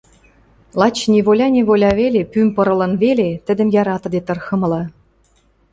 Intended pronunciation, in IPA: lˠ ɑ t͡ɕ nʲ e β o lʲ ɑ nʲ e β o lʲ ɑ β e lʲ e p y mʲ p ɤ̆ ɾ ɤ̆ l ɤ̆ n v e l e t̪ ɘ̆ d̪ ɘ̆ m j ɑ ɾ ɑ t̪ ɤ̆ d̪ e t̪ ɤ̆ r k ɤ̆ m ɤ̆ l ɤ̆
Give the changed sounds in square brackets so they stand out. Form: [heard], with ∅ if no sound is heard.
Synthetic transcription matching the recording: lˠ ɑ t͡ɕ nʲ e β o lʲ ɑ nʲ e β o lʲ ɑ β e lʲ e p y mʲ p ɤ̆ ɾ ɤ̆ l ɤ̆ n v e l e t̪ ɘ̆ d̪ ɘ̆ m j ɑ ɾ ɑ t̪ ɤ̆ d̪ e t̪ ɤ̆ r [x] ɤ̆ m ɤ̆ l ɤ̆